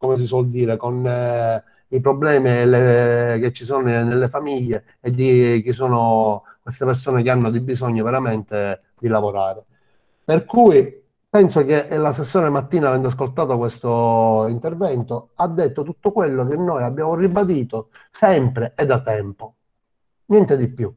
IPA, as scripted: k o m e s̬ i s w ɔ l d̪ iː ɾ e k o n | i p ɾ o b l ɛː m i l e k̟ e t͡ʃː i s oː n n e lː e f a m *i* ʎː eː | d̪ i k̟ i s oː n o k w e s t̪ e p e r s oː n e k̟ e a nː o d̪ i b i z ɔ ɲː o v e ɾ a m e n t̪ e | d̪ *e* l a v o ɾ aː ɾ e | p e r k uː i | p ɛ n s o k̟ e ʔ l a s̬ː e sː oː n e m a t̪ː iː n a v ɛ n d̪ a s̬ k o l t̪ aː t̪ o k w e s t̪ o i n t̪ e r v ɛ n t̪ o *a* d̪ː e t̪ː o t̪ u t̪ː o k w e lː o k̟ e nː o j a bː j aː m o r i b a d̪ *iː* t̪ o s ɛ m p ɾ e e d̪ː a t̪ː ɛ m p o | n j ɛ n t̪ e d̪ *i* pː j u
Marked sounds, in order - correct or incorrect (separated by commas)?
correct, incorrect, correct, correct, correct